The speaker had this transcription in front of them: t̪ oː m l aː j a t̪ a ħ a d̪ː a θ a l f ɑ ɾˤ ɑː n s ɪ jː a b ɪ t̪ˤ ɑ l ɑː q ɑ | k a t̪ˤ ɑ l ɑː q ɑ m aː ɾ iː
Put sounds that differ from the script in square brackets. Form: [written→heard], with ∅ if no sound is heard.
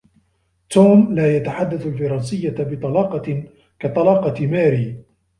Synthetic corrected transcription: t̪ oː m l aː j a t̪ a ħ a d̪ː a θ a l f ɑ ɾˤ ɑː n s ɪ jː a b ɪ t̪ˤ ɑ l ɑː q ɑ | k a t̪ˤ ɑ l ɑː q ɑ m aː ɾ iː